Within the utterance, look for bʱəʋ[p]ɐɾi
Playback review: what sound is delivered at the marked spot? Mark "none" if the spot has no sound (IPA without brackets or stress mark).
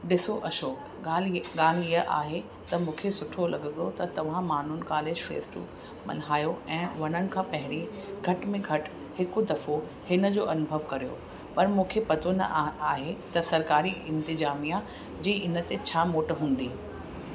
k